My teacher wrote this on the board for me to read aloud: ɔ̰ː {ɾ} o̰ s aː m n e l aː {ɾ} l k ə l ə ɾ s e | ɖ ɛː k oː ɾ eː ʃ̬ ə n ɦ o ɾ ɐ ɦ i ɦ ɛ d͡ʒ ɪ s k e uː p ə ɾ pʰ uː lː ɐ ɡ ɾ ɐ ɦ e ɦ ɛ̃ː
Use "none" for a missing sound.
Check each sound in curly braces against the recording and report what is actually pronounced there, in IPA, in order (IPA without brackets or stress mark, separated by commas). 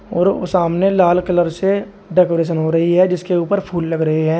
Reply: ɾ, none